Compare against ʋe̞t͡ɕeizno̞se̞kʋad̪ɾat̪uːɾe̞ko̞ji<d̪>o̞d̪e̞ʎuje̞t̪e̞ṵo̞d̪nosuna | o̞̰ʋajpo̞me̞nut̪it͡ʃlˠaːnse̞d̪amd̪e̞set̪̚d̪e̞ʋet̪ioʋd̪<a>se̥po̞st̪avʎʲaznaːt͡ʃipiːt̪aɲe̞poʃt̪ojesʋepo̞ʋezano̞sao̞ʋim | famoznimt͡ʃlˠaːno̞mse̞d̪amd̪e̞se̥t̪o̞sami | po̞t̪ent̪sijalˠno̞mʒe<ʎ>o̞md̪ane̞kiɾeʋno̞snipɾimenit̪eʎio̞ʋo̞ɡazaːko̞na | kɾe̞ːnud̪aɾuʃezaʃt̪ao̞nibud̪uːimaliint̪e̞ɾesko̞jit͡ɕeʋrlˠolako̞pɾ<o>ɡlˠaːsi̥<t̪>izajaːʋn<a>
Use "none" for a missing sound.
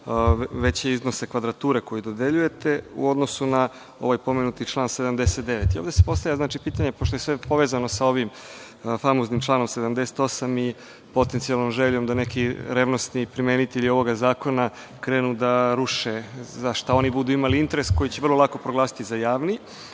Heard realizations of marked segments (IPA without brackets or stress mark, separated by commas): d̪, e, ʎ, o, t̪, i